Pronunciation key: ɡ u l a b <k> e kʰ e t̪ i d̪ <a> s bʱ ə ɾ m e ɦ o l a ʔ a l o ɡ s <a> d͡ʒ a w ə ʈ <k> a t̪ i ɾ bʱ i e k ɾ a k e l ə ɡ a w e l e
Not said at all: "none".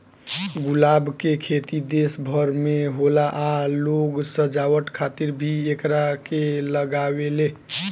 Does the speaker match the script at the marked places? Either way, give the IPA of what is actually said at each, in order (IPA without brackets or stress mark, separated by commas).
k, e, ə, kʰ